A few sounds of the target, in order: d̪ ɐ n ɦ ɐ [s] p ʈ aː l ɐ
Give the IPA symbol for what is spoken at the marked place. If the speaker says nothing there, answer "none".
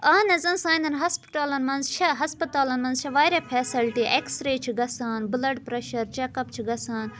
s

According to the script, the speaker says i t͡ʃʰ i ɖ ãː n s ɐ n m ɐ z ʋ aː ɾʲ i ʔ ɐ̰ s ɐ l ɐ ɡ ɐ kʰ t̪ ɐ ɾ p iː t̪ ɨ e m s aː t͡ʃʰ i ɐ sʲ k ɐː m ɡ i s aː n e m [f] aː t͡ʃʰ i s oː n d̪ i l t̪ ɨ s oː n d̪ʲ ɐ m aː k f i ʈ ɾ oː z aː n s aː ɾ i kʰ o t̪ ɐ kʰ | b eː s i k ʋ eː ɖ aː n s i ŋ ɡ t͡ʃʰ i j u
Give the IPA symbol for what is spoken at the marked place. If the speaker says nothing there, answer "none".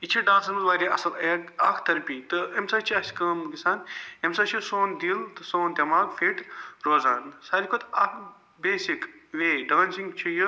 s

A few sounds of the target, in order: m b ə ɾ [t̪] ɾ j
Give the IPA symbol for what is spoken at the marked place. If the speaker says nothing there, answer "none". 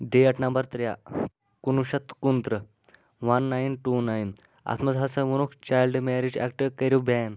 t̪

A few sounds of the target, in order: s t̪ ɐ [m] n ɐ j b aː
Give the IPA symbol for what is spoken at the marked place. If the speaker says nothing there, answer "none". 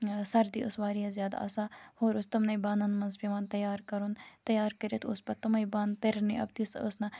m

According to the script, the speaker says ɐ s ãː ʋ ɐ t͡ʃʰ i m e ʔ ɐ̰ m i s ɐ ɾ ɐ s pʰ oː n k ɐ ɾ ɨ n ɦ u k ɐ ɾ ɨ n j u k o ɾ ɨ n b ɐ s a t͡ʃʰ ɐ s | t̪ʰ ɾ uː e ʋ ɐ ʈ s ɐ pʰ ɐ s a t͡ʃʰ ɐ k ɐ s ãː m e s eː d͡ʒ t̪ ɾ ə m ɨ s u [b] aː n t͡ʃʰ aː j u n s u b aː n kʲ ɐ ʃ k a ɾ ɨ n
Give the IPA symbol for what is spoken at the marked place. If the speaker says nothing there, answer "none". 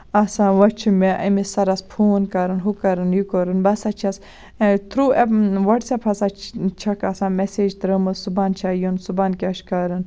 b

